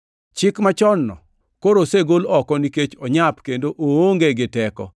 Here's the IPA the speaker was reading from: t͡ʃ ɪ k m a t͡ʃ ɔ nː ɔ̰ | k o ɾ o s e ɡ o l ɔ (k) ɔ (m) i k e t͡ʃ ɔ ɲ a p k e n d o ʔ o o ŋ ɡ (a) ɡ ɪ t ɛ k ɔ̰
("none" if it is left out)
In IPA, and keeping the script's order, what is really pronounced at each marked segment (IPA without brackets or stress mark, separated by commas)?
k, n, e